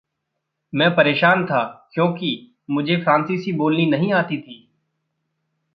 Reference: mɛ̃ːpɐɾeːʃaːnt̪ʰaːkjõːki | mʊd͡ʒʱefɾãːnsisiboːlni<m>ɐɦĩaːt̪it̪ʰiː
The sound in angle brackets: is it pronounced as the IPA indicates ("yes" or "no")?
no